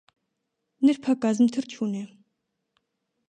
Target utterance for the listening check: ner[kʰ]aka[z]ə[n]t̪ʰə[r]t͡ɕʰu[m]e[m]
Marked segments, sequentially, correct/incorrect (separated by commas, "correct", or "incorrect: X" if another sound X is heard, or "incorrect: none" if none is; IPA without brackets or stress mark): incorrect: pʰ, correct, incorrect: m, correct, incorrect: n, incorrect: none